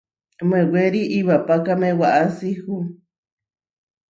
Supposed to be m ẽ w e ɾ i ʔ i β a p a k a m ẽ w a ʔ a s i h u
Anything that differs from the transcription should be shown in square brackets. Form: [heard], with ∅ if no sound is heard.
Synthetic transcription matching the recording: m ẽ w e ɾ i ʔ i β a p a k a m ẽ w a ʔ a s i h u